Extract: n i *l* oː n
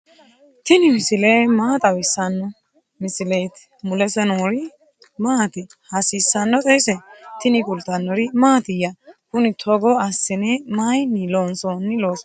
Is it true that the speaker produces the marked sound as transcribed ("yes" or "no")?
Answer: yes